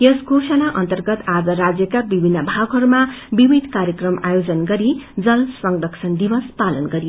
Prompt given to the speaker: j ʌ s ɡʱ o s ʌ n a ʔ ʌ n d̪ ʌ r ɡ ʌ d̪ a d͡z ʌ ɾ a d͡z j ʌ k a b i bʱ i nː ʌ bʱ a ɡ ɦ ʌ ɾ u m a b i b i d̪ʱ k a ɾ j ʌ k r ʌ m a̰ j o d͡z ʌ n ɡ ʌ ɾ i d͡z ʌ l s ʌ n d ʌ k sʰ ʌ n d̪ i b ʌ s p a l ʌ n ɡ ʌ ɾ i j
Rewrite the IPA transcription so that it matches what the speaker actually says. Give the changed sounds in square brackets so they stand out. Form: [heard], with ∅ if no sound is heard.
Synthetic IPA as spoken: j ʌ s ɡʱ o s ʌ n a ʔ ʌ n [t̪] ʌ r ɡ ʌ [t̪] a d͡z ʌ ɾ a d͡z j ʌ k a b i bʱ i nː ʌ bʱ a ɡ ɦ ʌ ɾ u m a b i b i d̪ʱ k a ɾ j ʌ k r ʌ m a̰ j o d͡z ʌ n ɡ ʌ ɾ i d͡z ʌ l s ʌ [ŋ] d ʌ k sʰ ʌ n d̪ i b ʌ s p a l ʌ n ɡ ʌ ɾ i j